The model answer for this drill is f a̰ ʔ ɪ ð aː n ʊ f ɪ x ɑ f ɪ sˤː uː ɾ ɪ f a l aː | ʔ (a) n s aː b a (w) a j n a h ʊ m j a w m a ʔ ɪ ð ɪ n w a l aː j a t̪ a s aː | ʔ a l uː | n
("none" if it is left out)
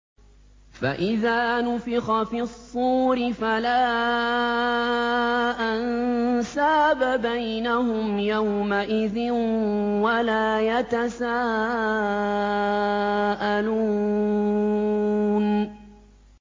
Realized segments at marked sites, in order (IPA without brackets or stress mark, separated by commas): a, b